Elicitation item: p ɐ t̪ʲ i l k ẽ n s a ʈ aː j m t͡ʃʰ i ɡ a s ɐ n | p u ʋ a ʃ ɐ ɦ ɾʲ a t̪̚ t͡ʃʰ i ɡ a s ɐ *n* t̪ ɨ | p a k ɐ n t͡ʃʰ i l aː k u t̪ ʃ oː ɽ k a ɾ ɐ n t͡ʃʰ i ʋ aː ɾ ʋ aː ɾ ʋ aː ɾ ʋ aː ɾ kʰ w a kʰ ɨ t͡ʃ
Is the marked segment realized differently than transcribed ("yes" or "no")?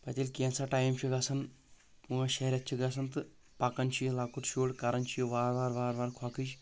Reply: no